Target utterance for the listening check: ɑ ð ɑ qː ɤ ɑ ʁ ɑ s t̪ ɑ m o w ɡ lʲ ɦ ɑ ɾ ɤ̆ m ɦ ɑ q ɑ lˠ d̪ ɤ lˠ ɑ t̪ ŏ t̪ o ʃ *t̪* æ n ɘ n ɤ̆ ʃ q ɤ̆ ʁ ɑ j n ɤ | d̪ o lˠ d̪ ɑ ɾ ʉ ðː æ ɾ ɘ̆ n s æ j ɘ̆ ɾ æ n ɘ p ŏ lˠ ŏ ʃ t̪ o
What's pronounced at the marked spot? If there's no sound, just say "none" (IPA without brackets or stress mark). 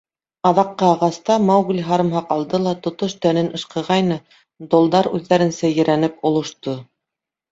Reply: t̪